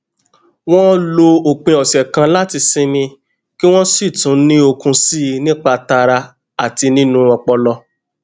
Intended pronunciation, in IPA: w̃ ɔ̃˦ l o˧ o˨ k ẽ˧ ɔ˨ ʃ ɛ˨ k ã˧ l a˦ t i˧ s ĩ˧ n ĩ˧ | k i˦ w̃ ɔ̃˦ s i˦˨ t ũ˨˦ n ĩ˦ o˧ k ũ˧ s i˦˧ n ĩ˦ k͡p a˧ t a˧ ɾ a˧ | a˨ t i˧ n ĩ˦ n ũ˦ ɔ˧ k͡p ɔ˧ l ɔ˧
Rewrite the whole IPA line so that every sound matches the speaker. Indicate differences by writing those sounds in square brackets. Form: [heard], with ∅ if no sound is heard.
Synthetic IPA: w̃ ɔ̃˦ l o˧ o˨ [k͡p] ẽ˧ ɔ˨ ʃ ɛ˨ k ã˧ l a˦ t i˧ s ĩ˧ n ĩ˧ | k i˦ w̃ ɔ̃˦ s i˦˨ t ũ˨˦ n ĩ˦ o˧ k ũ˧ s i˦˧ n ĩ˦ k͡p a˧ t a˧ ɾ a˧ | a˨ t i˧ n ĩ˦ n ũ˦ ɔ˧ k͡p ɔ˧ l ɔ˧